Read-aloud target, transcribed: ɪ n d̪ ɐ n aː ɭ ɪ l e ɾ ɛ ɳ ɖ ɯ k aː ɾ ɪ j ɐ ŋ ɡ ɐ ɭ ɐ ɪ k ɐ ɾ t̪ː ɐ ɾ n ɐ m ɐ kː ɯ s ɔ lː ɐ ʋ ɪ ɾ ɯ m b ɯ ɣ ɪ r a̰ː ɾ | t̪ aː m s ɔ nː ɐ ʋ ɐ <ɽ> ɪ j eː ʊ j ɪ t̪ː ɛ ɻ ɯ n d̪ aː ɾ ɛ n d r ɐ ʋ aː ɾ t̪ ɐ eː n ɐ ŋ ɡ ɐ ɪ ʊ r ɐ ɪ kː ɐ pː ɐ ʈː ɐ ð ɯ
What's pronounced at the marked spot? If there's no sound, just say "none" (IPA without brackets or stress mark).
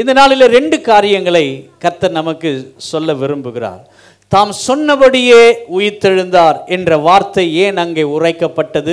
ɽ